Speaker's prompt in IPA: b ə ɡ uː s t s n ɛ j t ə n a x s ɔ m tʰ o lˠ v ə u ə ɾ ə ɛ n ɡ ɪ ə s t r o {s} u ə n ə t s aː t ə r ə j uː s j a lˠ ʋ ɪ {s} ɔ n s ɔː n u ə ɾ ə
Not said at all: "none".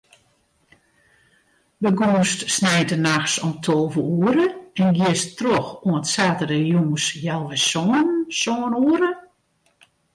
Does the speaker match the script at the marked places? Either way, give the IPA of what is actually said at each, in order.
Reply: x, s

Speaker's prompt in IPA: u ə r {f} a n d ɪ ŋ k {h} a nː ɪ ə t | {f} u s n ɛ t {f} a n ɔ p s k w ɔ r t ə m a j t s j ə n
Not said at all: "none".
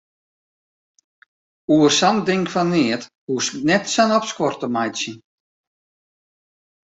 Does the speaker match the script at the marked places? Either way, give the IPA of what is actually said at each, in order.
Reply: s, f, h, s

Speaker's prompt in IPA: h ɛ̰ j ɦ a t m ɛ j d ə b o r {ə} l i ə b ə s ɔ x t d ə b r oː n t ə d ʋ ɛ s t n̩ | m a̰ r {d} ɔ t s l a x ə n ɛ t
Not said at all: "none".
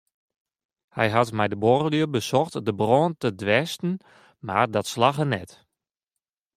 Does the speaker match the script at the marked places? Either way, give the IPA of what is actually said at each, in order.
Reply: ə, d

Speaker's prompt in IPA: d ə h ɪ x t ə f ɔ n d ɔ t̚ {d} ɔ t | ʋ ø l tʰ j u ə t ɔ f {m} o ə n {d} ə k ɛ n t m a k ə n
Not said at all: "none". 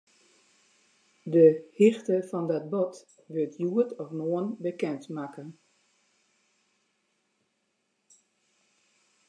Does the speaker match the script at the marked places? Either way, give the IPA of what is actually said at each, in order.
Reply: b, n, b

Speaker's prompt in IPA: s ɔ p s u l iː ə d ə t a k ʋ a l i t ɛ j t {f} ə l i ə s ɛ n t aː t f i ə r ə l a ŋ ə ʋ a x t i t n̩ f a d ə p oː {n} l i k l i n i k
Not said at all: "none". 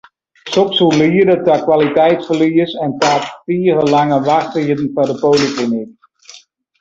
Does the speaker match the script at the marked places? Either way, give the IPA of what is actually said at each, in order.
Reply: f, none

